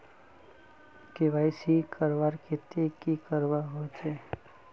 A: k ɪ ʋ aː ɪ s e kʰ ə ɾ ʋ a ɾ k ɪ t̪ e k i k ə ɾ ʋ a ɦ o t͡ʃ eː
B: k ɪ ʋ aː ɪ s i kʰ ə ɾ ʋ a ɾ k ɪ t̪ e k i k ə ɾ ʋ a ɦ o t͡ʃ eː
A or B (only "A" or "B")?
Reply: B